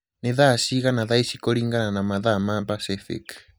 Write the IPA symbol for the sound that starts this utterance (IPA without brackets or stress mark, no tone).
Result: n